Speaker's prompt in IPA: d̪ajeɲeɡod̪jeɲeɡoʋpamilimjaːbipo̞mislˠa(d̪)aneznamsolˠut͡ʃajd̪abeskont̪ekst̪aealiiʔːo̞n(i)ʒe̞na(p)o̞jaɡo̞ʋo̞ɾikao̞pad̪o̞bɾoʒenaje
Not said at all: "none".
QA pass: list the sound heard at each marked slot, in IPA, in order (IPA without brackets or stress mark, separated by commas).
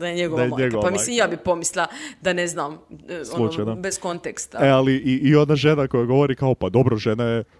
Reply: d̪, a, k